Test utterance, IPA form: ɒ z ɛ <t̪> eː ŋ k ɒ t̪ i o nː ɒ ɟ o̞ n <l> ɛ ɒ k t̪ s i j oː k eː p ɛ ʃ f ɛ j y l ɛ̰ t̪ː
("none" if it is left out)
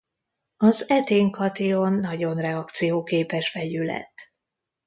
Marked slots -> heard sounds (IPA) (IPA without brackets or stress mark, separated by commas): t̪, r